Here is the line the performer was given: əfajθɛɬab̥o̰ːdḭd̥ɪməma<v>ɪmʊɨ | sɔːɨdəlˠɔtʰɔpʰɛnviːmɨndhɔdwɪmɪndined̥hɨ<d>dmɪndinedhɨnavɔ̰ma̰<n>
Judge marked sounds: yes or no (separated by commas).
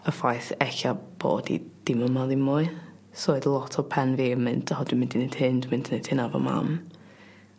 no, no, no